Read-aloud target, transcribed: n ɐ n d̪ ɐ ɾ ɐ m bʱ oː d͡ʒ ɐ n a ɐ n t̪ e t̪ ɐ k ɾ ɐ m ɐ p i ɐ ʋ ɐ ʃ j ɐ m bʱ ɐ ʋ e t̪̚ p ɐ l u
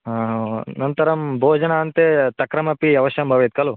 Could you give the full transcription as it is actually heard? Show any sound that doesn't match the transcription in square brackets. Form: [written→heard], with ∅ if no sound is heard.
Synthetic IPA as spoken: n ɐ n [d̪→t̪] ɐ ɾ ɐ m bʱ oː d͡ʒ ɐ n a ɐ n t̪ e t̪ ɐ k ɾ ɐ m ɐ p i ɐ ʋ ɐ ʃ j ɐ m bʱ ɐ ʋ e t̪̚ [p→k] ɐ l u